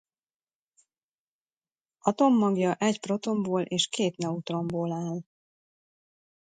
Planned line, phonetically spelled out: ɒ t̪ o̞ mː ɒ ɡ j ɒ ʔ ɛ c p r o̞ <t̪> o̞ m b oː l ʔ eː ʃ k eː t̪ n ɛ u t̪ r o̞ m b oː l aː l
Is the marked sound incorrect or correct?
correct